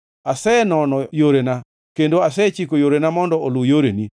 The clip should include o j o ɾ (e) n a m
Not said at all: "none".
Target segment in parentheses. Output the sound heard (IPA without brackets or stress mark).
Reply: e